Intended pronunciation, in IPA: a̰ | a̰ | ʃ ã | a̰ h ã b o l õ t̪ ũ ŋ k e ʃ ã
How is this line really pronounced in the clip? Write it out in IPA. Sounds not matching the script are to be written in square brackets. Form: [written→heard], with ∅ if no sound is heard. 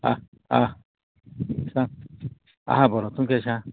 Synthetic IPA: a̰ | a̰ | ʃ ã | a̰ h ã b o [l→ɾ] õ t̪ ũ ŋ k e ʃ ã